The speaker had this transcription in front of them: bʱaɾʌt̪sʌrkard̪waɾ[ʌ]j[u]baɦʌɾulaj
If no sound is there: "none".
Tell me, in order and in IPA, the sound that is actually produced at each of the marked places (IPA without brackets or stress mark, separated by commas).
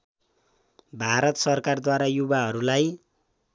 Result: a, u